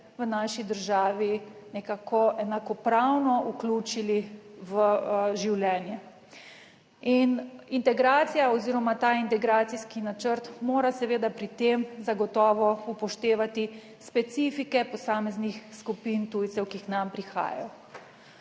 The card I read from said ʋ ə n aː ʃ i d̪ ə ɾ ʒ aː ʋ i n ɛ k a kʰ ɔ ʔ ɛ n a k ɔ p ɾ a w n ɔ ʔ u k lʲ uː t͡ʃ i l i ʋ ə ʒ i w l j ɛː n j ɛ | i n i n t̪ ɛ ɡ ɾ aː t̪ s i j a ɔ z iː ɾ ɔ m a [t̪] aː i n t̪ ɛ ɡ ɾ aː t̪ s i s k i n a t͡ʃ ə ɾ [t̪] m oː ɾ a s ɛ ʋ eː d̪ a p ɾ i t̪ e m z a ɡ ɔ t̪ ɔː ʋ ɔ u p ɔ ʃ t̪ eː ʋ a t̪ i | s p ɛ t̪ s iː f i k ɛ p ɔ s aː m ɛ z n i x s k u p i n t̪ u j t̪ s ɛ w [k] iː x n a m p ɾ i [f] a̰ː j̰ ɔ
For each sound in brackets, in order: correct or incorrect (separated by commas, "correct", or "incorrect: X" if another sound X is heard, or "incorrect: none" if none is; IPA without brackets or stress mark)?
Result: correct, correct, correct, incorrect: x